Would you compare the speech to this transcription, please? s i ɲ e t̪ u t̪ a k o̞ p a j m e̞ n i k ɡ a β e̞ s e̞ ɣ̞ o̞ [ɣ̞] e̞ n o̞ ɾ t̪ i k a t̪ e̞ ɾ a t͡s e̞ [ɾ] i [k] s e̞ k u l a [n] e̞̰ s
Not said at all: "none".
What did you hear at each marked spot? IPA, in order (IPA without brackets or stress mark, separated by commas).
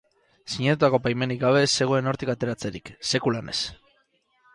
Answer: none, ɾ, k, n